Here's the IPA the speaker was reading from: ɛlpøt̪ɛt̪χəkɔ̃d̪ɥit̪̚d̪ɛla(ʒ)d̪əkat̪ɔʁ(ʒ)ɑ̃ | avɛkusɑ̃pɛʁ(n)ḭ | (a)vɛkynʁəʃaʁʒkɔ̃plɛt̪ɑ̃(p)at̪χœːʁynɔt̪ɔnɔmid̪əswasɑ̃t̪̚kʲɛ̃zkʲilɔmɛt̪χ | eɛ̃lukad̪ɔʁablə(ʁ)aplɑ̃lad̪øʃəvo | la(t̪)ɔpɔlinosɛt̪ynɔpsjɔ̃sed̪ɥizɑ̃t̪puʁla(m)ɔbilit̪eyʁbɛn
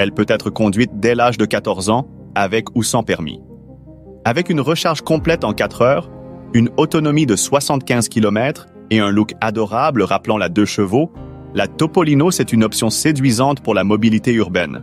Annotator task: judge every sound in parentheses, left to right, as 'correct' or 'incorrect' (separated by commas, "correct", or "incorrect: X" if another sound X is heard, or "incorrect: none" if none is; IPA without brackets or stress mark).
correct, incorrect: z, incorrect: m, correct, incorrect: k, correct, correct, correct